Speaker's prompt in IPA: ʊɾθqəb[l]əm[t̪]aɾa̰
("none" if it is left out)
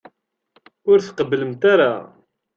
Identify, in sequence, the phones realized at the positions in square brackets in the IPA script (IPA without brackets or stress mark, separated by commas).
l, t̪